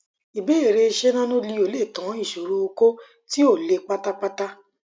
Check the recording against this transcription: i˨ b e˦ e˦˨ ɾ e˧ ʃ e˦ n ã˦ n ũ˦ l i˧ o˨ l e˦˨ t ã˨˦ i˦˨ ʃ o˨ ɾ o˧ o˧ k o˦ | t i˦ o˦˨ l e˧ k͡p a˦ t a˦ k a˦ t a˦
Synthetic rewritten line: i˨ b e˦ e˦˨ ɾ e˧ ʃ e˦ n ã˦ n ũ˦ l i˧ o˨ l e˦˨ t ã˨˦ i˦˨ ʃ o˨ ɾ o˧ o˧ k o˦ | t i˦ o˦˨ l e˧ k͡p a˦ t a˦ k͡p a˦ t a˦